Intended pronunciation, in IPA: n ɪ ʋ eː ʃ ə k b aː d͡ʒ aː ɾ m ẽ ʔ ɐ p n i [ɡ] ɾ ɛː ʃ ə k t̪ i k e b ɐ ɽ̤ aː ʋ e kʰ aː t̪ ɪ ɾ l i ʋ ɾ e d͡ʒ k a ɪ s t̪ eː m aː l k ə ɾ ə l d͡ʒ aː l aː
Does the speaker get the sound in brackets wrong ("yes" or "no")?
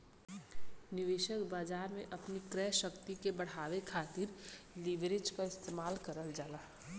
yes